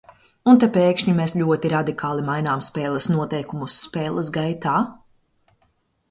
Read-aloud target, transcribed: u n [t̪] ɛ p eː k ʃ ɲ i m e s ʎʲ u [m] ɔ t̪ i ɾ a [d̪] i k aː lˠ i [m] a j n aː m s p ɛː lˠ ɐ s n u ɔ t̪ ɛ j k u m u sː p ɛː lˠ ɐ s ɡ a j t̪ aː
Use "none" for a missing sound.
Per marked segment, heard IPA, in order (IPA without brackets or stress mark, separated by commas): t̪, none, d̪, m